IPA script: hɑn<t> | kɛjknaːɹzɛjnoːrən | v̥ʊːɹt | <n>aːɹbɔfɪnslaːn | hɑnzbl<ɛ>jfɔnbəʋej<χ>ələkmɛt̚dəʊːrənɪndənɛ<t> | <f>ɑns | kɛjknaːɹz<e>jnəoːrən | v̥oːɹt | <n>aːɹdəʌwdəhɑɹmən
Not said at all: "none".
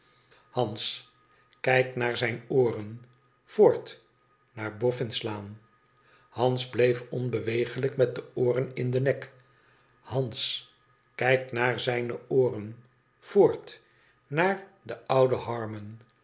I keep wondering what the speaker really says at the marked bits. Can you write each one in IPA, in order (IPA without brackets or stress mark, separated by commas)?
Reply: s, n, e, χ, k, h, ɛ, n